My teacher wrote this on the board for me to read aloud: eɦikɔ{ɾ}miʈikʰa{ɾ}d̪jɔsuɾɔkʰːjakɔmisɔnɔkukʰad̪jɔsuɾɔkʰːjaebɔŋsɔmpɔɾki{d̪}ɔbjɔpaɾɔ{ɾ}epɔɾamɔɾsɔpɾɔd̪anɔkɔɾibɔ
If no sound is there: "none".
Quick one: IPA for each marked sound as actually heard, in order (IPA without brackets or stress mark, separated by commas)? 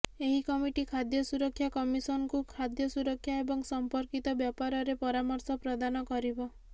none, none, t̪, ɾ